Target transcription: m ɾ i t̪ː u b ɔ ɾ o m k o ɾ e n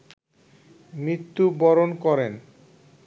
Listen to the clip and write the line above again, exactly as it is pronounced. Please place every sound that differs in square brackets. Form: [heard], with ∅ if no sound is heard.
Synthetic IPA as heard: m ɾ i t̪ː u b ɔ ɾ o [n] k [ɔ] ɾ e n